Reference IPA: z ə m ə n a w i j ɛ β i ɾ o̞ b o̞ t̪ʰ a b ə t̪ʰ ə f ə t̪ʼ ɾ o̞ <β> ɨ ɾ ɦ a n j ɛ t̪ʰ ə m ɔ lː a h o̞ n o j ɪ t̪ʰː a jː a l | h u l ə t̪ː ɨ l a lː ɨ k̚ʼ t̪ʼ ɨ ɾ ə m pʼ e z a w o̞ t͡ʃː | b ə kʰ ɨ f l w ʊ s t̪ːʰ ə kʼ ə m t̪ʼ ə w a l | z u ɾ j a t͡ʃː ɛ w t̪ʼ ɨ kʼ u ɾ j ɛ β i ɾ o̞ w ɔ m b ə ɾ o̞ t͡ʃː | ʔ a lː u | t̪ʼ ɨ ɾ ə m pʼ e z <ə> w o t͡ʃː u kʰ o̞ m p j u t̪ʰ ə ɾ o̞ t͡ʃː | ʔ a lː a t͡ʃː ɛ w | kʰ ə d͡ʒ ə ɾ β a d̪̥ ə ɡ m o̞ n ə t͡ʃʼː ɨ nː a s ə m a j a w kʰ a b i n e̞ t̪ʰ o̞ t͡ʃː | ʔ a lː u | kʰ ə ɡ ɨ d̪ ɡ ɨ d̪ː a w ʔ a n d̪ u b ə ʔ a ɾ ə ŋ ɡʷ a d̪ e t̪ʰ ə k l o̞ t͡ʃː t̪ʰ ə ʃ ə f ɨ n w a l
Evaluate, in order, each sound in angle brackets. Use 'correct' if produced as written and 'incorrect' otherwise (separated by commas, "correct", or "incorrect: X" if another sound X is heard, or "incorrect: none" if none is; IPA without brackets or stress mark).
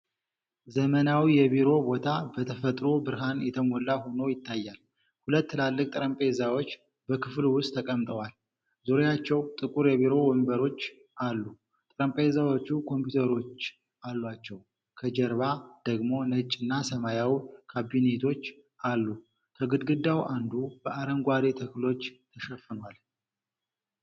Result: incorrect: b, incorrect: a